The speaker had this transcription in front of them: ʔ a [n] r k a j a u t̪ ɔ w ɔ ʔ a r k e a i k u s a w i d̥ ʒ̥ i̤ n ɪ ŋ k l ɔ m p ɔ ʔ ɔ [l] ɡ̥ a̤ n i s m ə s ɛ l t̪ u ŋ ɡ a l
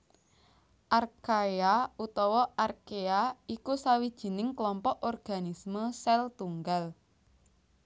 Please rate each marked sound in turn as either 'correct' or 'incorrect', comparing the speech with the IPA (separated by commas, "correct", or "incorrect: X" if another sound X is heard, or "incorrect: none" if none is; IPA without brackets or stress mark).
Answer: incorrect: none, incorrect: r